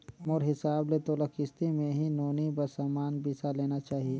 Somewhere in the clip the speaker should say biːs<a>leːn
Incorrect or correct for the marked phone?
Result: correct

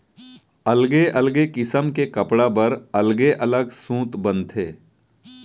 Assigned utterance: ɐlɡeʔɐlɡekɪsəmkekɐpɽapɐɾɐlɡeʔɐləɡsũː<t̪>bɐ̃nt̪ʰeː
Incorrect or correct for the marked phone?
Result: correct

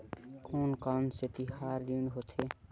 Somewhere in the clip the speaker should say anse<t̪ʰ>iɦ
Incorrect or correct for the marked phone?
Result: incorrect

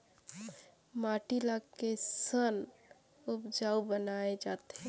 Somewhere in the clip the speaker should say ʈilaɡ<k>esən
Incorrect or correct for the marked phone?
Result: correct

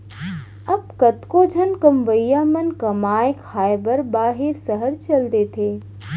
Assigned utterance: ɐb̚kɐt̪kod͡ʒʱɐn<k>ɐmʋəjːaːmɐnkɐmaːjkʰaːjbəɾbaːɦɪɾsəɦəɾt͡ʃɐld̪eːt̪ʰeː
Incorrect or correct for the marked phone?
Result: correct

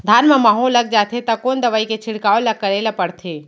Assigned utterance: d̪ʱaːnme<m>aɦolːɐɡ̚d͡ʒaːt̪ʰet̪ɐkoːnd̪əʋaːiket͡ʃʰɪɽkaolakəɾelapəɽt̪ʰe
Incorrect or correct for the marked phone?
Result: correct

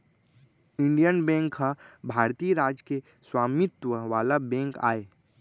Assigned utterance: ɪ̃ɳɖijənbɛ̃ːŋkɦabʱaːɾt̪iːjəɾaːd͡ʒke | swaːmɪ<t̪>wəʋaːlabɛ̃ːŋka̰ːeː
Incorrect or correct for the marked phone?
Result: correct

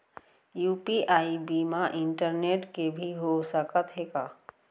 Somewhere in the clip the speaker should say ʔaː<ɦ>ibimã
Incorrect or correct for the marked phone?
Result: incorrect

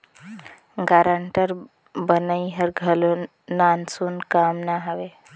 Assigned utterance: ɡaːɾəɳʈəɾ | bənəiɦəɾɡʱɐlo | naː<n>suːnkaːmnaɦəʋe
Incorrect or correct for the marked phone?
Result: correct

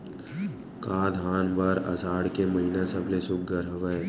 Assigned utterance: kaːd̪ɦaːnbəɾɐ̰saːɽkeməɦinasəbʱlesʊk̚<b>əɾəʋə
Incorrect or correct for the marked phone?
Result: incorrect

